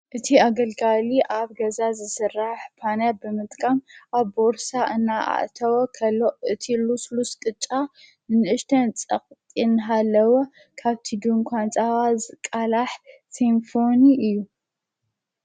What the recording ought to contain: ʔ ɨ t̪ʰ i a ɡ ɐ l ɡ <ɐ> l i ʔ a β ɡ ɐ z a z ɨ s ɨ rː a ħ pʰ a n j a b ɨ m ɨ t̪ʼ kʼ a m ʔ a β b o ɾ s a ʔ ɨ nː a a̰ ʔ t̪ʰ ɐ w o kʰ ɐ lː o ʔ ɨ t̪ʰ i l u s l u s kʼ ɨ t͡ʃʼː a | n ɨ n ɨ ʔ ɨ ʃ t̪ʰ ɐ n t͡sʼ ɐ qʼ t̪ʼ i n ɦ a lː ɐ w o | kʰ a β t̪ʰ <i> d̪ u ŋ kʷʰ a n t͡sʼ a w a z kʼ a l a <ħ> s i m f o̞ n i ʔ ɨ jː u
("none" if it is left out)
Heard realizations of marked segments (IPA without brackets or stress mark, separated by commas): a, i, ħ